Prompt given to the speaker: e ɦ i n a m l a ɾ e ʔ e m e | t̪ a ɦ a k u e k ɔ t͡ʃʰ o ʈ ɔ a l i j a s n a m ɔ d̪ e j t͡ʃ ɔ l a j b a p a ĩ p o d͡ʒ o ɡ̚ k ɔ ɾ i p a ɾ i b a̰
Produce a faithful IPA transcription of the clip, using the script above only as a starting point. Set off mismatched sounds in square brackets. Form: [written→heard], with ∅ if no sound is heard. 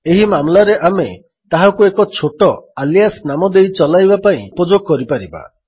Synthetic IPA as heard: e ɦ i [n→m] a m l a ɾ e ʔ [e→a] m e | t̪ a ɦ a k u e k ɔ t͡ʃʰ o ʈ ɔ a l i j a s n a m ɔ d̪ e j t͡ʃ ɔ l a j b a p a ĩ p o d͡ʒ o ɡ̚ k ɔ ɾ i p a ɾ i b a̰